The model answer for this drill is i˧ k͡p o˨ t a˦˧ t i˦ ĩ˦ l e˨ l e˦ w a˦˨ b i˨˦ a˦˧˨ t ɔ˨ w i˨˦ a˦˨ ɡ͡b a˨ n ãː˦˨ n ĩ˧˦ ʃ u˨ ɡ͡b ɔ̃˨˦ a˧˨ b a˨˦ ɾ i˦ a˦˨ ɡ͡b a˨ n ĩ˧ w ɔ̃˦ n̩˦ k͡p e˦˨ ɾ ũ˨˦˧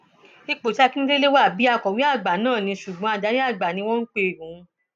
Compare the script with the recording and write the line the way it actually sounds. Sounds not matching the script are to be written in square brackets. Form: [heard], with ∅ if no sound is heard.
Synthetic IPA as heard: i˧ k͡p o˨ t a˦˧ [k] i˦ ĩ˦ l [e˦] l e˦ w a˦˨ b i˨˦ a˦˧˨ [k] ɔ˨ w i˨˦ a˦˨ ɡ͡b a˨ n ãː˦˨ n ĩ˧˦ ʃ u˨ ɡ͡b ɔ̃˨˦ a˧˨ [d] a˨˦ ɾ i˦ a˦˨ ɡ͡b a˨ n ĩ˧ w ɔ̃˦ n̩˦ k͡p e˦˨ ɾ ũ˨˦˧